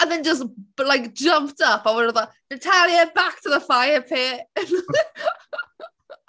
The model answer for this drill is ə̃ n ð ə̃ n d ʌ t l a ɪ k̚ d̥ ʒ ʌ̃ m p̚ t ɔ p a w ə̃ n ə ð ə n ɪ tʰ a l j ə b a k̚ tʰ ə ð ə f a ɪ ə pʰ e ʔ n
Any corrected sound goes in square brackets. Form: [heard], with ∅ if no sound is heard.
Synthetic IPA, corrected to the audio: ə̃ n ð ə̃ n [d͡ʒ] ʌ [s] l a ɪ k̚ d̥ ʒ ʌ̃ m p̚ t [ʌ] p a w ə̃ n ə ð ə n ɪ tʰ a l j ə b a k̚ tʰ ə ð ə f a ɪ ə pʰ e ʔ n